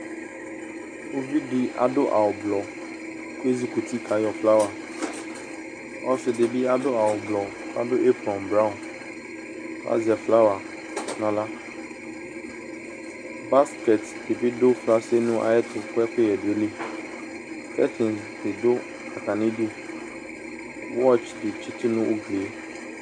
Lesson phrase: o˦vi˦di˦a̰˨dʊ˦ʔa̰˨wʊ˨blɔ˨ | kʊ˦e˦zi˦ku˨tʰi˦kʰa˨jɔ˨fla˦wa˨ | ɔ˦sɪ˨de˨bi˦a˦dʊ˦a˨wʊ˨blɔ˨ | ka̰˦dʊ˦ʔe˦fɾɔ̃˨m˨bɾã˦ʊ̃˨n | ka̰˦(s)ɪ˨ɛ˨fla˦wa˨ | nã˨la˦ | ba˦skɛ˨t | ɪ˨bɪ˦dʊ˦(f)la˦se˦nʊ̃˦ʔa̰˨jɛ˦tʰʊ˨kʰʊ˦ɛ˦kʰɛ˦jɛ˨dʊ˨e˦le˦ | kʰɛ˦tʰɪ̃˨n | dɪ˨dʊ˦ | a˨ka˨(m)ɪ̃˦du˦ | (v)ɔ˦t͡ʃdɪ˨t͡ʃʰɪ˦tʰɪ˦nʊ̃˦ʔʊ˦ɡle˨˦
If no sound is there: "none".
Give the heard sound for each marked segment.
z, f, n, w

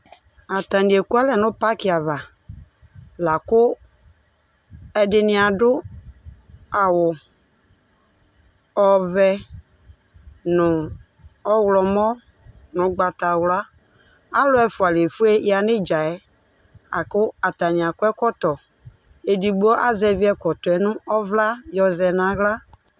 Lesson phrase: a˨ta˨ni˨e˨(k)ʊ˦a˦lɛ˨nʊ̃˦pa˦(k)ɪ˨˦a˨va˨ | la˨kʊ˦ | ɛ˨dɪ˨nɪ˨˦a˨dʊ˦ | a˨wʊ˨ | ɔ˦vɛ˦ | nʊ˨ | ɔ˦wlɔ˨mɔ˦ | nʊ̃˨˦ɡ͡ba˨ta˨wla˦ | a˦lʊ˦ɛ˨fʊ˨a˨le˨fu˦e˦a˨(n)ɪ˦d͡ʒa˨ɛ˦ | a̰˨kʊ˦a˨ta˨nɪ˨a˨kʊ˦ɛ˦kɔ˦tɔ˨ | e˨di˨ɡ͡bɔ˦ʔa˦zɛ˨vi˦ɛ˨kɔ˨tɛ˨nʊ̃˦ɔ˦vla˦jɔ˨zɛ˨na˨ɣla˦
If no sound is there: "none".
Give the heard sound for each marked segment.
k, k, n

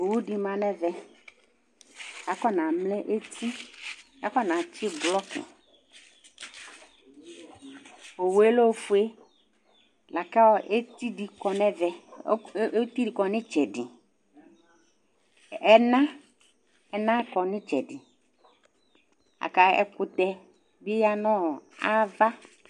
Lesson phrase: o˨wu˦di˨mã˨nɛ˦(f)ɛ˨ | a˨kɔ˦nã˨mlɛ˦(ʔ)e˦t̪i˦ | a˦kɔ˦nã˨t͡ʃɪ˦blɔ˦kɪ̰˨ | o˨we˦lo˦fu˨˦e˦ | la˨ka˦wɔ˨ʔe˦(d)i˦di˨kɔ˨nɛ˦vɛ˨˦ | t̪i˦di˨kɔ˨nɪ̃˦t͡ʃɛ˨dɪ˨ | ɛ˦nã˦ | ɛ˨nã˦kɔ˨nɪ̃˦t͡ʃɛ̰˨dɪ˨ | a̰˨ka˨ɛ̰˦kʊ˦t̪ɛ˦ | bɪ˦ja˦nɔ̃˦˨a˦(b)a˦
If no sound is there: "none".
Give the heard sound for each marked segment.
v, ʔ, t, v

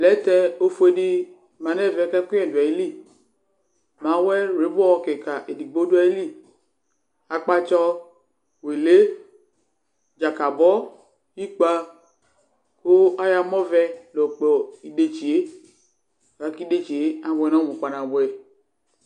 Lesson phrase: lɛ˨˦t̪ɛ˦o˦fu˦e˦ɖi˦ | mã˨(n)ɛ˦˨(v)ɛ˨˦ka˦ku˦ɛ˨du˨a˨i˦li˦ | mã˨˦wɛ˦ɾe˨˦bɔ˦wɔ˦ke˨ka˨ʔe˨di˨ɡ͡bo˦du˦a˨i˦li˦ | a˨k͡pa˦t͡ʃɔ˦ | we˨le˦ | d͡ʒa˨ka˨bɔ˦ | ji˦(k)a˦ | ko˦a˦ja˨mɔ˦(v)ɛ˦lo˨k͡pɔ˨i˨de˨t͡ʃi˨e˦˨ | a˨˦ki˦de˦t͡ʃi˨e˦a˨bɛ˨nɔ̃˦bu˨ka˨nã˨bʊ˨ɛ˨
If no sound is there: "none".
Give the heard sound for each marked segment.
n, v, k͡p, v

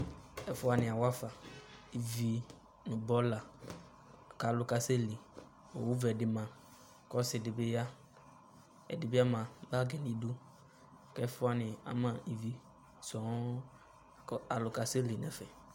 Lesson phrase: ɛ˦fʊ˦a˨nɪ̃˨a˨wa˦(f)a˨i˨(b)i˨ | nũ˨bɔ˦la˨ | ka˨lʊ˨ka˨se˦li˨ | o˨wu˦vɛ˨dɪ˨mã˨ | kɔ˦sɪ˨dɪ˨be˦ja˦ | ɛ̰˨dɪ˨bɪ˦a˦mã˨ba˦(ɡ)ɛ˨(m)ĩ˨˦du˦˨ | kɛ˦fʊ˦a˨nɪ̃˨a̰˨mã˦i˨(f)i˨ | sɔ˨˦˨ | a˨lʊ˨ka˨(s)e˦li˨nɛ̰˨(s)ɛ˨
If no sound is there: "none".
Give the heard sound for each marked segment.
f, v, ɡ, n, v, s, f

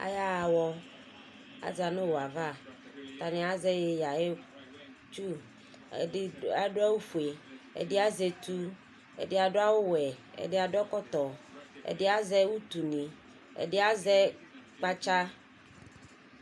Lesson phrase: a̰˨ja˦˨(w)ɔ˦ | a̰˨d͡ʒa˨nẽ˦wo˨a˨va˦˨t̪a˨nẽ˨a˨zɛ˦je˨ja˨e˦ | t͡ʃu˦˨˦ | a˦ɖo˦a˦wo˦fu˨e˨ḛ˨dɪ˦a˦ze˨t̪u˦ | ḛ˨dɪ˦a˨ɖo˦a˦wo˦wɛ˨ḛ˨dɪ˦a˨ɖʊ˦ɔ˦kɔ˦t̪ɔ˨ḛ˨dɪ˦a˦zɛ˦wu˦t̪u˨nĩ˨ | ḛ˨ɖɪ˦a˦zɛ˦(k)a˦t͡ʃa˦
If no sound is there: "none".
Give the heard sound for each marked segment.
w, k͡p

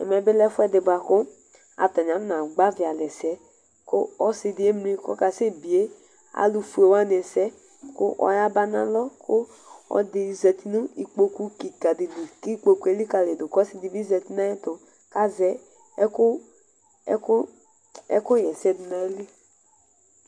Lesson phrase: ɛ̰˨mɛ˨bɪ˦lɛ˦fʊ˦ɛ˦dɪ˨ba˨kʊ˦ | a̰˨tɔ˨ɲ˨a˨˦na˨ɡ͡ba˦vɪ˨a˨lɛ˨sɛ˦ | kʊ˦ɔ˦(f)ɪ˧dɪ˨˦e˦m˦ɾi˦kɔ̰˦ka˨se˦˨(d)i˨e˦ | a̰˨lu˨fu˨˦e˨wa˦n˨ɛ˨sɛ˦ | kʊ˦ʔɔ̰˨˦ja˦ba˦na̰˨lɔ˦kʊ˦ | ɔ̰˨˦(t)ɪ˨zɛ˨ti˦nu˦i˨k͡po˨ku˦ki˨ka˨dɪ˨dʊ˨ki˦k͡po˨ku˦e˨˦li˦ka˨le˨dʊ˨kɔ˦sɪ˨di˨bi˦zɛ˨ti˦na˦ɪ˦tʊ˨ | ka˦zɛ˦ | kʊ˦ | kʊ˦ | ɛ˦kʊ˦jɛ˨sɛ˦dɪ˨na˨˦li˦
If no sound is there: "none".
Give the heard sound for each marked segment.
s, b, d

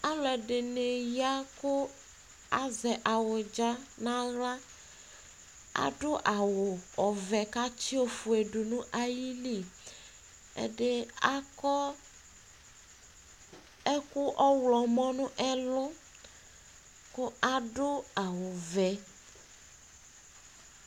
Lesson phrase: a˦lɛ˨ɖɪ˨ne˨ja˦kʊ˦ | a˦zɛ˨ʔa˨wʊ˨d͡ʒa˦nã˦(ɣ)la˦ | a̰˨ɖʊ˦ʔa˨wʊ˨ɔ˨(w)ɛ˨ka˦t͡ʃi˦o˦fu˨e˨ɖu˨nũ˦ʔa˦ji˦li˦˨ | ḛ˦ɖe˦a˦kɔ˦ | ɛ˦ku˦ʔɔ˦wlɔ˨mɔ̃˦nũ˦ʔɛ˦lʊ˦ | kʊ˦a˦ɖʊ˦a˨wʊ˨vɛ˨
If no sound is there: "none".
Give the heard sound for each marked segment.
ɣ, v

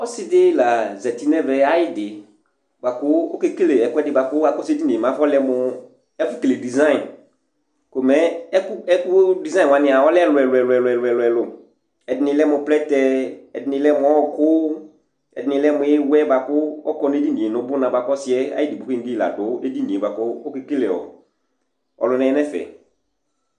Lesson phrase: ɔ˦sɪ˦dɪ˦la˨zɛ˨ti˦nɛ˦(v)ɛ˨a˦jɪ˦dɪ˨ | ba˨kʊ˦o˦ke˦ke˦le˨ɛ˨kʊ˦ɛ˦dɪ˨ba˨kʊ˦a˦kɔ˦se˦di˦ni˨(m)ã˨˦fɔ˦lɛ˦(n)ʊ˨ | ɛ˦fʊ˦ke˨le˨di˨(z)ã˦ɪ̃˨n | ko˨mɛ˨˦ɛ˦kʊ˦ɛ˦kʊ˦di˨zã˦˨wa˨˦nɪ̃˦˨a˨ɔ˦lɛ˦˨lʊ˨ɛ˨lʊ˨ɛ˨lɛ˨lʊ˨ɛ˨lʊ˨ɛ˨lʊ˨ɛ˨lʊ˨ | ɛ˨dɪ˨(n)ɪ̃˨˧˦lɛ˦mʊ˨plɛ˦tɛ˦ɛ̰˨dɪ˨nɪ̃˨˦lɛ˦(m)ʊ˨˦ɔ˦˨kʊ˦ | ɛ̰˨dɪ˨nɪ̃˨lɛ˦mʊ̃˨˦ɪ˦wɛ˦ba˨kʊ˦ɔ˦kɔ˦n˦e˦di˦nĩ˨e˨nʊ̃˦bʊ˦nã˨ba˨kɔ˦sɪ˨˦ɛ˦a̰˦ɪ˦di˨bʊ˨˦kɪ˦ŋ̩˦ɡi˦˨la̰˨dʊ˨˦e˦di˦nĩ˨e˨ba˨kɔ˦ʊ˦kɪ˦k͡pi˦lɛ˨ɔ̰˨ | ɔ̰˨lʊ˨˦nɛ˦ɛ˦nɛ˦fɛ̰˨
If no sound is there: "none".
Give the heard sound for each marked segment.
v, m, m, z, n, m

